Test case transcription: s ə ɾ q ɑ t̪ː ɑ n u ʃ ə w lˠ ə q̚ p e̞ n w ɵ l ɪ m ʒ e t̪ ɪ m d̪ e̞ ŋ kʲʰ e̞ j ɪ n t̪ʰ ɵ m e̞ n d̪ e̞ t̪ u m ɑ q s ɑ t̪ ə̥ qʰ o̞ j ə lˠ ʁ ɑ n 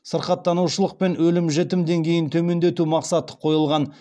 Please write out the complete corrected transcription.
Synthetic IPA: s ə ɾ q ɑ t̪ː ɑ n u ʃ ə lˠ ə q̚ p e̞ n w ɵ l ɪ m ʒ e t̪ ɪ m d̪ e̞ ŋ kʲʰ e̞ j ɪ n t̪ʰ ɵ m e̞ n d̪ e̞ t̪ u m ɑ q s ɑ t̪ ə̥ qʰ o̞ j ə lˠ ʁ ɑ n

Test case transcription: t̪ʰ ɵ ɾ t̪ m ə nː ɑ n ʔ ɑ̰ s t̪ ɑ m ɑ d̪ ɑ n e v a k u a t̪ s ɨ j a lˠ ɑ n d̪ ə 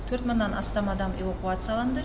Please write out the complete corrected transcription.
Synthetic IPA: t̪ʰ ɵ ɾ t̪ m ə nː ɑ n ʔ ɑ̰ s t̪ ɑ m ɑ d̪ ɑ m e v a k u a t̪ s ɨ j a lˠ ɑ n d̪ ə

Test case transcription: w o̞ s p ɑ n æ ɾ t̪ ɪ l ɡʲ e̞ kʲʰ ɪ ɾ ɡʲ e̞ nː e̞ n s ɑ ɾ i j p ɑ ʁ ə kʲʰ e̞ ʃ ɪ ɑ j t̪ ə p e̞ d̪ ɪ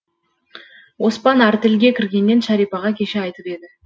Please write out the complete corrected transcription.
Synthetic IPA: w o̞ s p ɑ n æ ɾ t̪ ɪ l ɡʲ e̞ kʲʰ ɪ ɾ ɡʲ e̞ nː e̞ n ʃ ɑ ɾ i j p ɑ ʁ ɑ kʲʰ e̞ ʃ ɪ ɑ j t̪ ə p e̞ d̪ ɪ

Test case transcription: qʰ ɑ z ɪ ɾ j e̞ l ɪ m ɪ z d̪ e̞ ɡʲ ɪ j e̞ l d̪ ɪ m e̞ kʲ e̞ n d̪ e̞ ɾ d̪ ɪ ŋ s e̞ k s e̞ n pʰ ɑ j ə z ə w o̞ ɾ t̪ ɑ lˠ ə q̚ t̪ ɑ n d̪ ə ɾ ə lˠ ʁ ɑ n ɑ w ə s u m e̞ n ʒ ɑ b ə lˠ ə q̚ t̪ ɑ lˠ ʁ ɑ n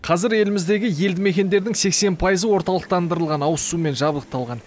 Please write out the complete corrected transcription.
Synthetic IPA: qʰ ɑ z ɪ ɾ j e̞ l ɪ m ɪ z d̪ e̞ ɡʲ ɪ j e̞ l d̪ ɪ m e̞ kʲ e̞ n d̪ e̞ ɾ d̪ ɪ ŋ s e̞ k s e̞ n pʰ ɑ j ə z ə w o̞ ɾ t̪ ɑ lˠ ə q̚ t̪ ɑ n d̪ ə ɾ ə lˠ ʁ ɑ n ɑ w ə s u m e̞ n ʒ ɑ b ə lˠ ə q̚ t̪ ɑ lˠ ʁ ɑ n

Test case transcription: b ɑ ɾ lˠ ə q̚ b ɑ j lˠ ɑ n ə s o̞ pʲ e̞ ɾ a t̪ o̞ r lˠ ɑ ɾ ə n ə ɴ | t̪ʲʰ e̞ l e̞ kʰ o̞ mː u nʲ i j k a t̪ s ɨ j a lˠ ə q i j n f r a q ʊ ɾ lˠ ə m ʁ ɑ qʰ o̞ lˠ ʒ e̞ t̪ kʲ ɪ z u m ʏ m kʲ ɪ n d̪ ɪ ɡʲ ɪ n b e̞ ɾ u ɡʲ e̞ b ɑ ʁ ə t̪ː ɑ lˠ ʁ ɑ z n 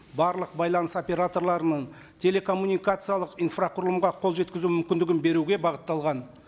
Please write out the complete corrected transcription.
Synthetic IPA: b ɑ ɾ lˠ ə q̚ b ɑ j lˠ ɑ n ə s o̞ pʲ e̞ ɾ a t̪ o̞ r lˠ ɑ ɾ ə n ə ɴ | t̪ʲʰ e̞ l e̞ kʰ o̞ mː u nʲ i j k a t̪ s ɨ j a lˠ ə q i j n f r a q ʊ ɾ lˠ ə m ʁ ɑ qʰ o̞ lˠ ʒ e̞ t̪ kʲ ɪ z u m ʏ m kʲ ɪ n d̪ ɪ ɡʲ ɪ n b e̞ ɾ u ɡʲ e̞ b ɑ ʁ ə t̪ː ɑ lˠ ʁ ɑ n

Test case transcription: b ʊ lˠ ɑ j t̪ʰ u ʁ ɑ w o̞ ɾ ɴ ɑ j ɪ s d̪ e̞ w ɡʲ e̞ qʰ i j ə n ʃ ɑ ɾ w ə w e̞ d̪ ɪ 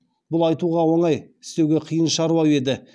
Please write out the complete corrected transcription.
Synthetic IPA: b ʊ lˠ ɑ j t̪ u ʁ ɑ w o̞ ɴ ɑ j ɪ s t̪ e̞ w ɡʲ e̞ qʰ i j ə n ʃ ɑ ɾ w ɑ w e̞ d̪ ɪ

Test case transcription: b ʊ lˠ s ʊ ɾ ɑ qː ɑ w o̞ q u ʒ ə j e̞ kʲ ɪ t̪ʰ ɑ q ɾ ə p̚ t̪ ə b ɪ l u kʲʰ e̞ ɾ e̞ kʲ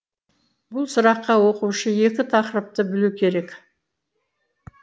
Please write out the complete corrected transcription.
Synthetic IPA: b ʊ lˠ s ʊ ɾ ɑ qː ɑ w o̞ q u ʃ ə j e̞ kʲ ɪ t̪ʰ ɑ q ɾ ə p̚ t̪ ə b ɪ l u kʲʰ e̞ ɾ e̞ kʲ

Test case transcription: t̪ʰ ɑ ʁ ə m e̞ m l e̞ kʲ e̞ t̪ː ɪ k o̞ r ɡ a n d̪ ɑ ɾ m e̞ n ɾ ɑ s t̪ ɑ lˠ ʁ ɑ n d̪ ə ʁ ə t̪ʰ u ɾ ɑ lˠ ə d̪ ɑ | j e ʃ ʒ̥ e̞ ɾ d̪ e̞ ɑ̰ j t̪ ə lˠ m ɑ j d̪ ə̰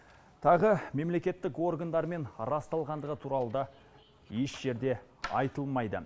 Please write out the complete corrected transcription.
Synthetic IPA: t̪ʰ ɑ ʁ ə m e̞ m l e̞ kʲ e̞ t̪ː ɪ k o̞ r ɡ a n d̪ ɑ ɾ m e̞ n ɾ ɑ s t̪ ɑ lˠ ʁ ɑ n d̪ ə ʁ ə t̪ʰ u ɾ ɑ lˠ ə d̪ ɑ | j e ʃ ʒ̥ e̞ ɾ d̪ e̞ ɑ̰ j t̪ ə lˠ m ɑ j d̪ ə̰

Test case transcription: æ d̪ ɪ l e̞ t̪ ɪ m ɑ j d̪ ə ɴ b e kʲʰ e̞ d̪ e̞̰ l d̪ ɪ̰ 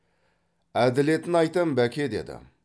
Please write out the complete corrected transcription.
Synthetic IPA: æ d̪ ɪ l e̞ t̪ ɪ n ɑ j t̪ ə m b æ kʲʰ e̞ d̪ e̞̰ d̪ ɪ̰

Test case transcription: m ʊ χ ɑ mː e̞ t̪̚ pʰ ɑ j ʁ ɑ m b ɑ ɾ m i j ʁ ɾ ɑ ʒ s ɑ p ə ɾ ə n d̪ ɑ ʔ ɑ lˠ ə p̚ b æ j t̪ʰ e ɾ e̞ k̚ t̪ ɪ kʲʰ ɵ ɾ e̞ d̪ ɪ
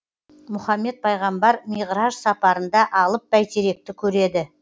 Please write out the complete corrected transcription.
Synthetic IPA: m ʊ χ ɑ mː e̞ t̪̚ pʰ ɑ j ʁ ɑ m b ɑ ɾ m i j ʁ ɾ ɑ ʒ s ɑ p ɑ ɾ ə n d̪ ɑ ʔ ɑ lˠ ə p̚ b æ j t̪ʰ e ɾ e̞ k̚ t̪ ɪ kʲʰ ɵ ɾ e̞ d̪ ɪ

